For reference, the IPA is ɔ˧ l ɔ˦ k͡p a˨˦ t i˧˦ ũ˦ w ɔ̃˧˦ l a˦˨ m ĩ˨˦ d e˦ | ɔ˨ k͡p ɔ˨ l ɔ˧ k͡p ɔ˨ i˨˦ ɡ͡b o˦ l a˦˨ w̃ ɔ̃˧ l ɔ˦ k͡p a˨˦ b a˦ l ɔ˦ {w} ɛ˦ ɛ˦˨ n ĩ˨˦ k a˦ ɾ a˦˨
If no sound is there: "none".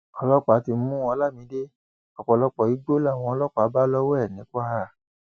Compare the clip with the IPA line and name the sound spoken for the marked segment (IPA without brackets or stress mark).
w